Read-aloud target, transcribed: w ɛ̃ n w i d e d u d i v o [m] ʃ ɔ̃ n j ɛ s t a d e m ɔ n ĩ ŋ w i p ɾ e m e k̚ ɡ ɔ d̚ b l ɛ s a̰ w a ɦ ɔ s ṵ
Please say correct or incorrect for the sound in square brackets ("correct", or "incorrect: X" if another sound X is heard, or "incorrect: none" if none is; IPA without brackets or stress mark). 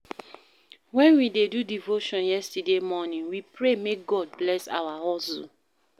incorrect: none